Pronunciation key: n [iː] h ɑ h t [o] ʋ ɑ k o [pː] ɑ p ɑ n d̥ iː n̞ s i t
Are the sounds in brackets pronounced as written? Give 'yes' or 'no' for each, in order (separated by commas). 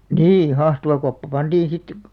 yes, no, yes